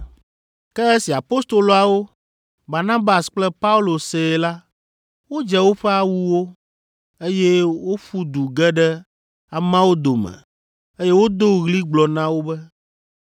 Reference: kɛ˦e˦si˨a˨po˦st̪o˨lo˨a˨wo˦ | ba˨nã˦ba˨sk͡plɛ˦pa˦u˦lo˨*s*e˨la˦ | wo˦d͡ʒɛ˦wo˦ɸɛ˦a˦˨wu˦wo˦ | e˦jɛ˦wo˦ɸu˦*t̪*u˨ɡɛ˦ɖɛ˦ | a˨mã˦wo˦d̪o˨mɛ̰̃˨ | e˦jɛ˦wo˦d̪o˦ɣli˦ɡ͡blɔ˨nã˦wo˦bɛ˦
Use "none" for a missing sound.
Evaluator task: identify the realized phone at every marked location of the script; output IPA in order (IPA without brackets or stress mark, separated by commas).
s, d̪